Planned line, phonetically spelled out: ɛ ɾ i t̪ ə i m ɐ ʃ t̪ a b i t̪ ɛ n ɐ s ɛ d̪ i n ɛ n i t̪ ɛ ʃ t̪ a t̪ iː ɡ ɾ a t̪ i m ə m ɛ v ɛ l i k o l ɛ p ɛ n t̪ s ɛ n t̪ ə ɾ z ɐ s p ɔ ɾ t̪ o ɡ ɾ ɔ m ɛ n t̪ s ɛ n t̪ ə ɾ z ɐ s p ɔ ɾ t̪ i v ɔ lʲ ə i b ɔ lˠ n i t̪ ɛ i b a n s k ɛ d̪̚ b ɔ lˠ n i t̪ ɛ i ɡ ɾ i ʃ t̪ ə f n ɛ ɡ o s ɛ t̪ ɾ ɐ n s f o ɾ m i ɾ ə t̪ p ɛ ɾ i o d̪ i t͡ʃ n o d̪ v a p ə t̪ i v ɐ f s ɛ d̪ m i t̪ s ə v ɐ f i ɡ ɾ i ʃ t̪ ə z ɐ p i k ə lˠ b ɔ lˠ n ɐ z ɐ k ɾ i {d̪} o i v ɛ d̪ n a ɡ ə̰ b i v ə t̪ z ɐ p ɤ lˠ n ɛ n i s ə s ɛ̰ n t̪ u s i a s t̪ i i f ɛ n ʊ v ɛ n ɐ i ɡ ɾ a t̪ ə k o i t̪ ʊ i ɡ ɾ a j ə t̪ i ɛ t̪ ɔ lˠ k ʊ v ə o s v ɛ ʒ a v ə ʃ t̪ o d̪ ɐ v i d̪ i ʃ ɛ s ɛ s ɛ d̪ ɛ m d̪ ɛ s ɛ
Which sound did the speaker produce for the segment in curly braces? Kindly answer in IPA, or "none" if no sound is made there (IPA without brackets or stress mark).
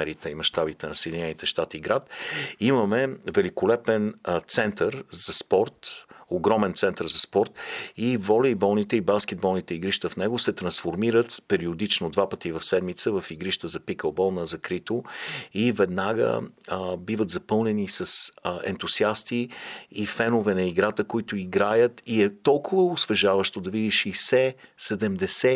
t̪